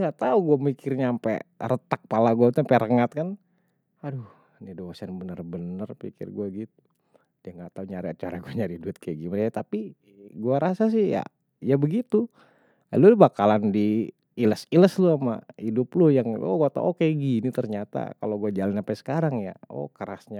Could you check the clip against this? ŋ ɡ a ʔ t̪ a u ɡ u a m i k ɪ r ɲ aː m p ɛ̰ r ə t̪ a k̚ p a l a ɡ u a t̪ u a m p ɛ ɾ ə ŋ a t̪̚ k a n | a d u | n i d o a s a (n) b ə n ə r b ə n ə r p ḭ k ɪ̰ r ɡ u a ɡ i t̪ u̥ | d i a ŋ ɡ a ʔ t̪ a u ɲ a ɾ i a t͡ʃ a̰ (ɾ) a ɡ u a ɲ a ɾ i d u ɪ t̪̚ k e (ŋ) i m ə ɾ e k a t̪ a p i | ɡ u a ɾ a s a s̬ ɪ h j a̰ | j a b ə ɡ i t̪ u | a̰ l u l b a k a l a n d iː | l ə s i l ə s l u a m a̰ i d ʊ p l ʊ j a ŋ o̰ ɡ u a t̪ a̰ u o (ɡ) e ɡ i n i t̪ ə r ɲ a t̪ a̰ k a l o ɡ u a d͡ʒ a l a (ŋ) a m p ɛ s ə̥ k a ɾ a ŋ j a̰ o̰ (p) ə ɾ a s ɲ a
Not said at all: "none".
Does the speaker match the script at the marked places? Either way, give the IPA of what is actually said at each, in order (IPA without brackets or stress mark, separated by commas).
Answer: n, ɾ, ɡ, k, n, k